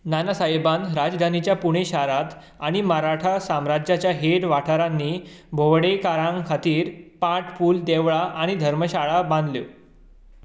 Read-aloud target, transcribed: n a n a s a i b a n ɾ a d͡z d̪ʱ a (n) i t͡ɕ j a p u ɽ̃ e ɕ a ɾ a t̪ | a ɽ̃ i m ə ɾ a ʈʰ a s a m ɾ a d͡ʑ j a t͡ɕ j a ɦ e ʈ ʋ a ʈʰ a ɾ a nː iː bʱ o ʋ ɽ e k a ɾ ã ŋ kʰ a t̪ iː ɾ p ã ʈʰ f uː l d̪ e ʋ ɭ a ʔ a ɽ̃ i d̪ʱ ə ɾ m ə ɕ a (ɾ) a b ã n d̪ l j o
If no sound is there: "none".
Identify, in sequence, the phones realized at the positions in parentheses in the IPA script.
n, ɭ

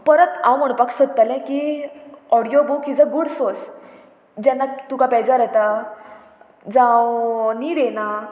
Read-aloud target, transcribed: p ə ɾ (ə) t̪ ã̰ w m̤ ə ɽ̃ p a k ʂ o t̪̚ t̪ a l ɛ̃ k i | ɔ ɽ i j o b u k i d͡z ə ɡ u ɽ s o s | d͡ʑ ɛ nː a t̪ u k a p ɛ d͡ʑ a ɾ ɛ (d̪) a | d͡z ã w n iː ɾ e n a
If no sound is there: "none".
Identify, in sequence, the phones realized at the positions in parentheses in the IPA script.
ə, t̪

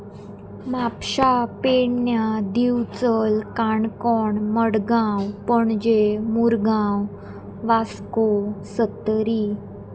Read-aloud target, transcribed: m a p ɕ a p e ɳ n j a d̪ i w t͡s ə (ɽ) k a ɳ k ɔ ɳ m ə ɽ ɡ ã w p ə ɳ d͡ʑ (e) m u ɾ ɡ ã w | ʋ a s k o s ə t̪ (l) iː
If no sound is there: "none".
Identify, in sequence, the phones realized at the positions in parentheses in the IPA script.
l, e, ɾ

